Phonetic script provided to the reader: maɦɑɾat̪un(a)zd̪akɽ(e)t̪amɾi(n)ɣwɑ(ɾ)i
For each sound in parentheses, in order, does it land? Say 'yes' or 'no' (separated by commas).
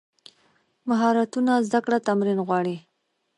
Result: yes, no, yes, no